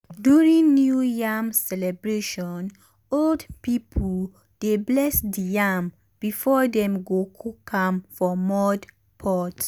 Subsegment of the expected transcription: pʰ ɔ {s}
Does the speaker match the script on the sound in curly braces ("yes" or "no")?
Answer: no